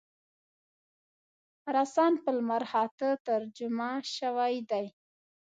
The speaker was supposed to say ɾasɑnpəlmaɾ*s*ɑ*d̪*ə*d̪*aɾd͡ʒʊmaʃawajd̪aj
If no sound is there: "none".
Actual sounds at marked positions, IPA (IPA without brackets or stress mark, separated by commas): h, t̪, t̪